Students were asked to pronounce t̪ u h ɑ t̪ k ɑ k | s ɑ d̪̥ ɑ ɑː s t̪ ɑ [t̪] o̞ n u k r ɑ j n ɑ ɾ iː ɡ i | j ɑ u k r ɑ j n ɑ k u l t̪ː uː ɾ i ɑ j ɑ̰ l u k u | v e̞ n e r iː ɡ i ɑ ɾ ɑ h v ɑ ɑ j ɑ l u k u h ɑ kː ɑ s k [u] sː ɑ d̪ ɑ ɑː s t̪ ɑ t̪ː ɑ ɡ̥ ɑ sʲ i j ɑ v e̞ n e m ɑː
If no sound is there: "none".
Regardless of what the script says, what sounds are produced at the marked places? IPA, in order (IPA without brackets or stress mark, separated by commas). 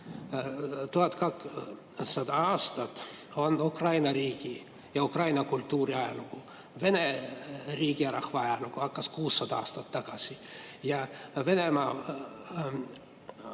t̪, uː